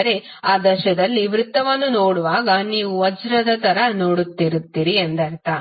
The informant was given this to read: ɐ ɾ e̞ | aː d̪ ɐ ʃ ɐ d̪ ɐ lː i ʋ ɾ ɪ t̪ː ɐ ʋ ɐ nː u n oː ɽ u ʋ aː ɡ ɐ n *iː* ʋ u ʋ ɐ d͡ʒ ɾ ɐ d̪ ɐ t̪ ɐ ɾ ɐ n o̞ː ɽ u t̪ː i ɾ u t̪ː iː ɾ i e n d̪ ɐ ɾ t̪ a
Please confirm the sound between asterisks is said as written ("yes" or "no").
yes